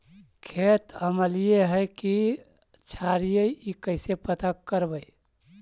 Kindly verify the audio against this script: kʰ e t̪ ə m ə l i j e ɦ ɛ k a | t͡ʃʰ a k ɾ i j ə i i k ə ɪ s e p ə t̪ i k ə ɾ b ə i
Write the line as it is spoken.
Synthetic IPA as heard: kʰ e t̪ ə m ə l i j e ɦ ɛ k i | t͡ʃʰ a ɾ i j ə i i k ə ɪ s e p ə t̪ a k ə ɾ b ə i